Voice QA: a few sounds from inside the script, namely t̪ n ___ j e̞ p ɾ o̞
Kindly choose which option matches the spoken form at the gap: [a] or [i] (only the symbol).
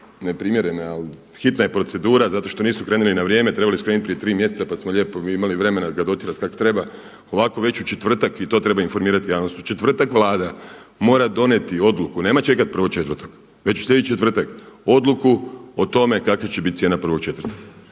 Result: a